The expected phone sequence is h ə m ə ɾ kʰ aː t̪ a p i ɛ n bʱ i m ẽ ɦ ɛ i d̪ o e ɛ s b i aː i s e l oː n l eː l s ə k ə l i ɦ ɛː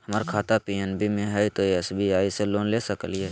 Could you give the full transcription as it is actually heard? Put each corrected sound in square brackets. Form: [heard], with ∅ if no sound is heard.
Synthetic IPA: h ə m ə ɾ kʰ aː t̪ a p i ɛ n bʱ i m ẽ ɦ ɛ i [t̪] o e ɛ s b i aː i s e l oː n l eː [∅] s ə k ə l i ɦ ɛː